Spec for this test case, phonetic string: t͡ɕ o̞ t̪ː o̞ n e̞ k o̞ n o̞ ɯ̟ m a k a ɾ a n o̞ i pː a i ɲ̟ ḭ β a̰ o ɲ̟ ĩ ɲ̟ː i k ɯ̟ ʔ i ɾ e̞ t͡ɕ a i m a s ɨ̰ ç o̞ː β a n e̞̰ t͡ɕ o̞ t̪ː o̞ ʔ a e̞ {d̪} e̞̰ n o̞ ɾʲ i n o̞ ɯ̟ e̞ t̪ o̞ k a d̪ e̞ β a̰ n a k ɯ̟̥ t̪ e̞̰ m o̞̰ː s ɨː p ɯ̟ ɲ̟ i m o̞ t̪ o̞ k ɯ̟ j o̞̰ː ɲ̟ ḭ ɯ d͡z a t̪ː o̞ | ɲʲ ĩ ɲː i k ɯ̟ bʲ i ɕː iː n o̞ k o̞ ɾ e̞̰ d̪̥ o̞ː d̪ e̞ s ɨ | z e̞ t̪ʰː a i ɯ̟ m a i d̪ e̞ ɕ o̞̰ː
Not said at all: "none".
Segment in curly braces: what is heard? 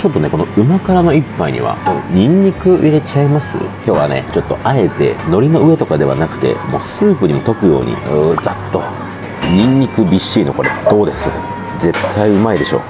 t̪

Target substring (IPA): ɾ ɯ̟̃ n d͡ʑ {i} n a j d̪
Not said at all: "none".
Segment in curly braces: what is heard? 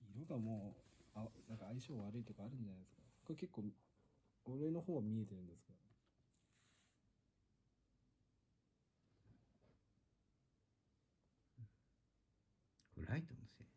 a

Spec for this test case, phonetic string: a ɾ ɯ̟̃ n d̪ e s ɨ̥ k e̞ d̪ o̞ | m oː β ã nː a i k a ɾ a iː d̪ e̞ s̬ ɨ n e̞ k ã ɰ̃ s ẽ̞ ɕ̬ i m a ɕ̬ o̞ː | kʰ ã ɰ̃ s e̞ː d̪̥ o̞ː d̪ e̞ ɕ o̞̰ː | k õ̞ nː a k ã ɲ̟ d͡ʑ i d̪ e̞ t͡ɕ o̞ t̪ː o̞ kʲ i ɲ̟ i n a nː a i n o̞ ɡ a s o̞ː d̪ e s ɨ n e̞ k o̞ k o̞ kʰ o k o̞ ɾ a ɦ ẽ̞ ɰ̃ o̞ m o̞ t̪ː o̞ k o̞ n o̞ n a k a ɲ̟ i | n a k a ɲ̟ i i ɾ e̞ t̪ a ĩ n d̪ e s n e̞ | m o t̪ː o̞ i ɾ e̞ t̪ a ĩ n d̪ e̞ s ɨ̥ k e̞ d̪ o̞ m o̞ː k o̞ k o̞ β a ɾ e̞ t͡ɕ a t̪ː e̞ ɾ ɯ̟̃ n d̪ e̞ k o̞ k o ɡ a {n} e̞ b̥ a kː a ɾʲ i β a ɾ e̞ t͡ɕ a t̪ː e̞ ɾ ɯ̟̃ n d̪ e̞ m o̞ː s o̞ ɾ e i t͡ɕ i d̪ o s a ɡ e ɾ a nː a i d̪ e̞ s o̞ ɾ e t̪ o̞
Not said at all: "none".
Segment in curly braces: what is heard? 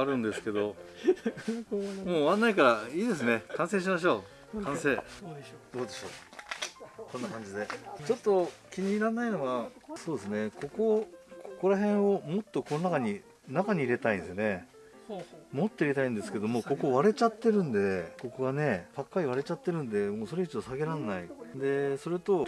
n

